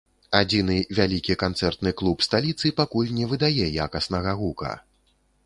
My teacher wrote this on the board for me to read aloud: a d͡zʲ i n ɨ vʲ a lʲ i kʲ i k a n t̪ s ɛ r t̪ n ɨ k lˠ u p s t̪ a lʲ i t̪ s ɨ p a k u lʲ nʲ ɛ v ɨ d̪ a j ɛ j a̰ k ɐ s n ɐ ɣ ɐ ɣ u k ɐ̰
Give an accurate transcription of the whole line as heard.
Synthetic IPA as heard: a d͡zʲ i n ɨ vʲ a lʲ i kʲ i k a n t̪ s ɛ r t̪ n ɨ k lˠ u p s t̪ a lʲ i t̪ s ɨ p a k u lʲ nʲ ɛ v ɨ d̪ a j ɛ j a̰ k ɐ s n ɐ ɣ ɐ ɣ u k ɐ̰

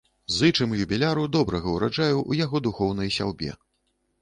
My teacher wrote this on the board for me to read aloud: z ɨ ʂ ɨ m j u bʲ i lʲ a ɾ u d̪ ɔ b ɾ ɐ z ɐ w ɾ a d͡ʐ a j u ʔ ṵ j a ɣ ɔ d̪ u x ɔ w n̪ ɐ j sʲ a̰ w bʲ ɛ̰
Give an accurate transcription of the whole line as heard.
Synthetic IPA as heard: z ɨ t͡ʂ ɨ m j u bʲ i lʲ a ɾ u d̪ ɔ b ɾ ɐ ɣ ɐ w ɾ a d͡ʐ a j u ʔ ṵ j a ɣ ɔ d̪ u x ɔ w n̪ ɐ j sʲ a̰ w bʲ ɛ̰

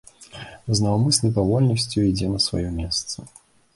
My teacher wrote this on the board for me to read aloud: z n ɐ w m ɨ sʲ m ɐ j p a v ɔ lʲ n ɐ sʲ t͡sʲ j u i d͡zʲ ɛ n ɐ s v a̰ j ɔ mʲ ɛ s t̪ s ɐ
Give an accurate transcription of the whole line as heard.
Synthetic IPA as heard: z n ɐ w m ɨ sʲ n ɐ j p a v ɔ lʲ n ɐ sʲ t͡sʲ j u i d͡zʲ ɛ n ɐ s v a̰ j ɔ mʲ ɛ s t̪ s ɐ

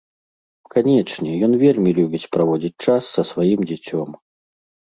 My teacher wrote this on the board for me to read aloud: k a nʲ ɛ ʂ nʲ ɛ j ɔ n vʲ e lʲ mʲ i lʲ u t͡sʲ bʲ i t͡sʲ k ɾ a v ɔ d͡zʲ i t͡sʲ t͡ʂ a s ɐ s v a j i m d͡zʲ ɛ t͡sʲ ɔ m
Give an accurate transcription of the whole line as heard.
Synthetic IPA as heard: k a nʲ ɛ t͡ʂ nʲ ɛ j ɔ n vʲ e lʲ mʲ i lʲ u bʲ i t͡sʲ p ɾ a v ɔ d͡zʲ i t͡sʲ t͡ʂ a sː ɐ s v a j i m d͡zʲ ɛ t͡sʲ ɔ m

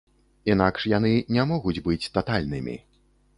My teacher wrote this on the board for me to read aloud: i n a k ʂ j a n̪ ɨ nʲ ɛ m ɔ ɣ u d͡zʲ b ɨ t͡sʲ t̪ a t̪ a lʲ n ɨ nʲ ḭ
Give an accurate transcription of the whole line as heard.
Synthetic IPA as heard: i n a k ʂ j a n̪ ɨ nʲ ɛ m ɔ ɣ u d͡zʲ b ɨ t͡sʲ t̪ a t̪ a lʲ n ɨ mʲ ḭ

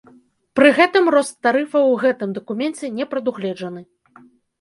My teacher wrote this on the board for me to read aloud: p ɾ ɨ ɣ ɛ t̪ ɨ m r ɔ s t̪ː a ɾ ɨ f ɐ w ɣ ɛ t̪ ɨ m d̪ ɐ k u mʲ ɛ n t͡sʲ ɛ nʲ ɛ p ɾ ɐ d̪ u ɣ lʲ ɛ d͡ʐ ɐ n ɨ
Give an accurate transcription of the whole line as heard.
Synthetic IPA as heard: p ɾ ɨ ɣ ɛ t̪ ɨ m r ɔ s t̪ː a ɾ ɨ f ɐ w ɣ ɛ t̪ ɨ m d̪ ɐ k u mʲ ɛ n t͡sʲ ɛ nʲ ɛ p ɾ ɐ d̪ u ɣ lʲ ɛ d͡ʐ ɐ n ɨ

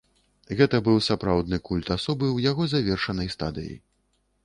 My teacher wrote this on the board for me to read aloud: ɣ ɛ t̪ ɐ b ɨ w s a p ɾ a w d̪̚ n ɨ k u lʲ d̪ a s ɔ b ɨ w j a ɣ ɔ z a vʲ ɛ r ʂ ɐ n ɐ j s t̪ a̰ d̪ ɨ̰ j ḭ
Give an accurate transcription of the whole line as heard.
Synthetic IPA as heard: ɣ ɛ t̪ ɐ b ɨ w s a p ɾ a w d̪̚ n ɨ k u lʲ t̪ a s ɔ b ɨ w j a ɣ ɔ z a vʲ ɛ r ʂ ɐ n ɐ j s t̪ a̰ d̪ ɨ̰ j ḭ

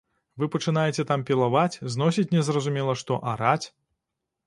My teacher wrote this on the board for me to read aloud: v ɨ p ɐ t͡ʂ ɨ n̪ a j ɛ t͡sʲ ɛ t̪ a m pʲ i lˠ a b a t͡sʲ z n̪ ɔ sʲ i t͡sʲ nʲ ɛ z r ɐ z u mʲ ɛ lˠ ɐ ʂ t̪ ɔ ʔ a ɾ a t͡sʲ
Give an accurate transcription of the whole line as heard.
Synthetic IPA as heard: v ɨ p ɐ t͡ʂ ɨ n̪ a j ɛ t͡sʲ ɛ t̪ a m pʲ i lˠ a v a t͡sʲ z n̪ ɔ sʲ i t͡sʲ nʲ ɛ z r ɐ z u mʲ ɛ lˠ ɐ ʂ t̪ ɔ ʔ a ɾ a t͡sʲ

